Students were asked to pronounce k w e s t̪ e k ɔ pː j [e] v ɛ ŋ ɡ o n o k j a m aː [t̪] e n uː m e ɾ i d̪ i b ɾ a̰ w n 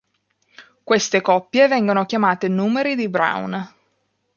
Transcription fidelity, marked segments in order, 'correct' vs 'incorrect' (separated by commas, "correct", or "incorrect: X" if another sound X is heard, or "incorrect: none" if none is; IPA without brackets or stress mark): correct, correct